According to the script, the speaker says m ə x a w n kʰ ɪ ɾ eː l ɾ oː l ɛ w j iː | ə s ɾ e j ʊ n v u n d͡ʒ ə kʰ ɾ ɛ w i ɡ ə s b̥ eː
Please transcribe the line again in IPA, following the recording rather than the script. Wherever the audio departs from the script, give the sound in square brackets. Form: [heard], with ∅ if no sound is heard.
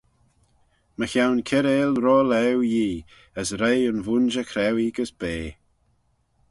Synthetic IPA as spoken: m ə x a w n kʰ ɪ ɾ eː l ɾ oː l ɛ w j iː | ə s ɾ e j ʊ n v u n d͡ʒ ə kʰ ɾ ɛ w i ɡ ə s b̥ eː